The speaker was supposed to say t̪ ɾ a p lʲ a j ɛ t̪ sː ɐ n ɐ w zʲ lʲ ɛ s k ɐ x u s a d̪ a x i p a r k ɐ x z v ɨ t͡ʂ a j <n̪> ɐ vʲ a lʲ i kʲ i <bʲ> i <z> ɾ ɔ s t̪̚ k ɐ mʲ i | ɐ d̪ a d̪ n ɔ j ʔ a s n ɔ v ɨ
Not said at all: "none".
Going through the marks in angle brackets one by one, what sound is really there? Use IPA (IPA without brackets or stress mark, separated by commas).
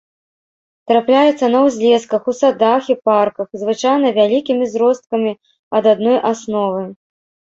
n̪, mʲ, z